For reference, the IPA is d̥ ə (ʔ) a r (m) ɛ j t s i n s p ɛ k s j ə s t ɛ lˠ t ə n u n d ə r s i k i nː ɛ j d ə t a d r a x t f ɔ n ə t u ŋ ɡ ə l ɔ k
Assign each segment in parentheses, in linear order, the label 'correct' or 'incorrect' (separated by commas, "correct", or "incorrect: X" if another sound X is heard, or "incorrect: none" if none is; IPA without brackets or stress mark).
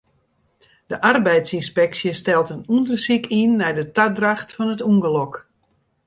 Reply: correct, incorrect: b